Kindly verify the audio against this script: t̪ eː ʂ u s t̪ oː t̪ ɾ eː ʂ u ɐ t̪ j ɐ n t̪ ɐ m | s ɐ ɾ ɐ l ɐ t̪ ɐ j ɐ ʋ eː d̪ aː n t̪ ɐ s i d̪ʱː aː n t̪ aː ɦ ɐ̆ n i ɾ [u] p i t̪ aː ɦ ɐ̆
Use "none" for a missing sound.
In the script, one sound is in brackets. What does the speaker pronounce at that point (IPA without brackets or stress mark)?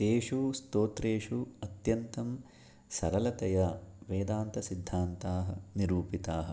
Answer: uː